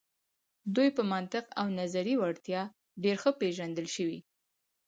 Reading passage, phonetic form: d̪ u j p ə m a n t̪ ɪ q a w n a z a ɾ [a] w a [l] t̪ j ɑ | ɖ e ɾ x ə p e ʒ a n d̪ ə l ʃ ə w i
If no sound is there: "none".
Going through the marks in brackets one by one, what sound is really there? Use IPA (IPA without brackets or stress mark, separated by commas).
i, ɽ